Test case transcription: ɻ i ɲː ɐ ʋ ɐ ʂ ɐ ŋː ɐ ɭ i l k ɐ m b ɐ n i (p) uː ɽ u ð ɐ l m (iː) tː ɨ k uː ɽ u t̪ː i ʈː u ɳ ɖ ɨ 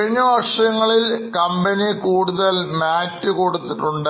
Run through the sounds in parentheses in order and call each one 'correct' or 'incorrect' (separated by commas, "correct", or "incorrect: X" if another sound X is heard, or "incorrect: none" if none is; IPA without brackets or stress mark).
incorrect: k, incorrect: aː